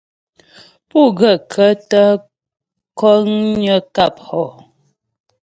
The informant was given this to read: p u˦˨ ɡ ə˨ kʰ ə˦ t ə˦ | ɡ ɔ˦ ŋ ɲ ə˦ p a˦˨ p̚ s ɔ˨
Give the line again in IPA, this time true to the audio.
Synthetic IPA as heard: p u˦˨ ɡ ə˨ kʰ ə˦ t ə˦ | k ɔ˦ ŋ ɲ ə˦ k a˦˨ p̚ h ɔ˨